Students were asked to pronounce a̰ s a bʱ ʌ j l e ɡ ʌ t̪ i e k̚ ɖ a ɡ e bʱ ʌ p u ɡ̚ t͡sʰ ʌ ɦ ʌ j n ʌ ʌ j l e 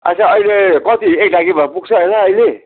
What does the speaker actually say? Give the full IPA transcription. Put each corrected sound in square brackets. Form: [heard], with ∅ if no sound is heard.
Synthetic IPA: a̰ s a [∅] ʌ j l e [k] ʌ t̪ i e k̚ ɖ a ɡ [i] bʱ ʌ p u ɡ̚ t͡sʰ ʌ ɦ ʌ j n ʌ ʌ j l e